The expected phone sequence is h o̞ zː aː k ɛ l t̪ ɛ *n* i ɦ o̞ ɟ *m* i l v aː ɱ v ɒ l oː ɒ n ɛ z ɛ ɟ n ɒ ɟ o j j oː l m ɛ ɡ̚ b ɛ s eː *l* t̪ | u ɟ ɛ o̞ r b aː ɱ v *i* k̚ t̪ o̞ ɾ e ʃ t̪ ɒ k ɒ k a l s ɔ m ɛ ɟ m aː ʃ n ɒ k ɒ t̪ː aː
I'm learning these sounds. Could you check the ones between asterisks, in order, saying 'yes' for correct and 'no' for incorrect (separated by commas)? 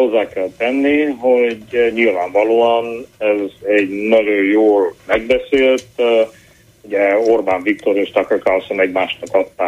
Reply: no, no, yes, yes